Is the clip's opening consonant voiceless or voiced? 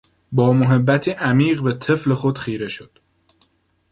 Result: voiced